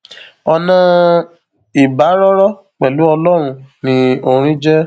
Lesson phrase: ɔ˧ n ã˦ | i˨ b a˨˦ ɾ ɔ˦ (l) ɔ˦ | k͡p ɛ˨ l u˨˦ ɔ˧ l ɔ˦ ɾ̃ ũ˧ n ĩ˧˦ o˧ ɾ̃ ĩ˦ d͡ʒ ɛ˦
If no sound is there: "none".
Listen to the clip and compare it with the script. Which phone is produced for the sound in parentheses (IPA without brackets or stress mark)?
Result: ɾ